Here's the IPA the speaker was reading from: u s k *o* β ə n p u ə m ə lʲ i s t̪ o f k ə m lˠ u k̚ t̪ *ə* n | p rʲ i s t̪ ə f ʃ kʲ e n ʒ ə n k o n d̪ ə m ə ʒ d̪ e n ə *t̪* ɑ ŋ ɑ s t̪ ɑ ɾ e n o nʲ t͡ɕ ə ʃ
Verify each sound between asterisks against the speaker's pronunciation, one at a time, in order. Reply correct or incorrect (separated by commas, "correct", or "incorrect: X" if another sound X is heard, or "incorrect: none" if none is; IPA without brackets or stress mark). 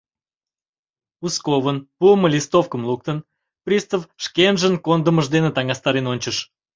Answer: correct, correct, correct